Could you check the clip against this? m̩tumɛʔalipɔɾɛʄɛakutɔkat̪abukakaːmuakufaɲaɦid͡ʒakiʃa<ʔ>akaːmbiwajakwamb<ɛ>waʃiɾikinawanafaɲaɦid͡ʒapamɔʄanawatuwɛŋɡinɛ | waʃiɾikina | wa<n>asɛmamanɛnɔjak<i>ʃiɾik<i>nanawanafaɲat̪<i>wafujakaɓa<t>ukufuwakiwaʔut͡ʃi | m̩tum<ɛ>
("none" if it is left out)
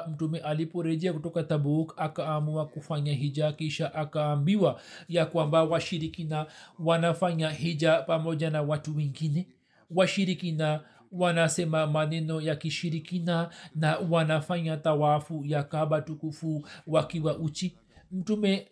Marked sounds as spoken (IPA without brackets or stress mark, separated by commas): ʔ, a, n, i, i, a, t, ɛ